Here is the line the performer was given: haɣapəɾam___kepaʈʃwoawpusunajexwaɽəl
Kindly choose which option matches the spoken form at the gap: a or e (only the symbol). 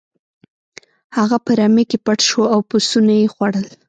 e